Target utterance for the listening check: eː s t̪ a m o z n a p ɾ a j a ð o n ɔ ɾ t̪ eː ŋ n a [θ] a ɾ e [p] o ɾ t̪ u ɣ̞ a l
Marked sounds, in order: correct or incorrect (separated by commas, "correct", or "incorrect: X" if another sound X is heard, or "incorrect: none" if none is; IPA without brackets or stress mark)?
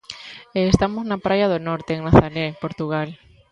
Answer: correct, correct